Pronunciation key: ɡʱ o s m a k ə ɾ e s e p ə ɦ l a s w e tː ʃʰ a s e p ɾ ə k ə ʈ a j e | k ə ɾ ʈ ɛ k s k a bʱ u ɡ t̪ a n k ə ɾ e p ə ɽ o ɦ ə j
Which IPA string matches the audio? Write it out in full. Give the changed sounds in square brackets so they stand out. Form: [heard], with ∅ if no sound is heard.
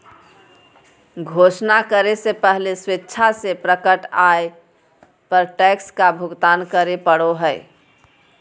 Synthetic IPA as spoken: ɡʱ o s [n] a k ə ɾ e s e p ə ɦ l [e] s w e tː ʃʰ a s e p ɾ ə k ə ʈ a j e | [p] ə ɾ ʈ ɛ k s k a bʱ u ɡ t̪ a n k ə ɾ e p ə ɽ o ɦ ə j